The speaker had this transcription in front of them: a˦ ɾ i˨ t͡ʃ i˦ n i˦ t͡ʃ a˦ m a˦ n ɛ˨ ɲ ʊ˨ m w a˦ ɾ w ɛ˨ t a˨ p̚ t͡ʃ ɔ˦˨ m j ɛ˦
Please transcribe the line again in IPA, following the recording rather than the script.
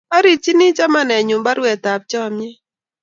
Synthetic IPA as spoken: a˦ ɾ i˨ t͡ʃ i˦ n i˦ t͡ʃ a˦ m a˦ n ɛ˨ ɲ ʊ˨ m b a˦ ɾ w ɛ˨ t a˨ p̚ t͡ʃ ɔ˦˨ m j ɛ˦